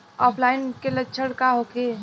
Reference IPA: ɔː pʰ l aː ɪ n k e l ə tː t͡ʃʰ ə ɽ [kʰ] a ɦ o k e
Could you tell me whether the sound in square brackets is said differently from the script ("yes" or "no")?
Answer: yes